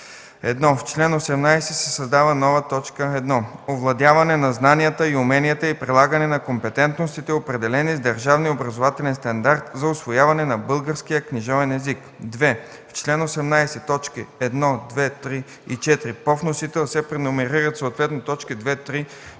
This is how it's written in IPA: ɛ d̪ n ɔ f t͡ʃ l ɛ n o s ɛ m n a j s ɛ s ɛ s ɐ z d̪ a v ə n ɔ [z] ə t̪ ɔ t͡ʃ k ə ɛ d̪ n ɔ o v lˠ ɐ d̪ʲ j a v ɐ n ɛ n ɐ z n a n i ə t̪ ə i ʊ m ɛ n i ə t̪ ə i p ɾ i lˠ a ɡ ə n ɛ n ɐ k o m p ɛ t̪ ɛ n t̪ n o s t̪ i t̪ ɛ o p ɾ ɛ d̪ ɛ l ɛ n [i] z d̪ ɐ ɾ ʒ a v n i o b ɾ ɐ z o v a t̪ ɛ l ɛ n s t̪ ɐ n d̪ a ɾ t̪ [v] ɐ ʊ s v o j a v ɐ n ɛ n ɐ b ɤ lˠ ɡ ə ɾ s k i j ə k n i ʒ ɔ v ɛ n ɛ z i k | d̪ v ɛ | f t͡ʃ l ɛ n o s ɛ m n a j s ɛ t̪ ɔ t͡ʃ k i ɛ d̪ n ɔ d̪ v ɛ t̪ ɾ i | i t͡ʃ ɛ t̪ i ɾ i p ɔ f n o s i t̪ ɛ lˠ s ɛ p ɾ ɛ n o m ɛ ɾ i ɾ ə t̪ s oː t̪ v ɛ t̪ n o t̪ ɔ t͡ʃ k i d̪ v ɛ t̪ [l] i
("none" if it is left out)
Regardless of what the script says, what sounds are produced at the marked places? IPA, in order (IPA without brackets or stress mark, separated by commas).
v, i, z, ɾ